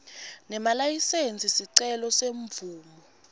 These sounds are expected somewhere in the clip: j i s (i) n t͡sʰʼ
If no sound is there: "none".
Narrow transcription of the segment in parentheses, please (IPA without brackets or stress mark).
e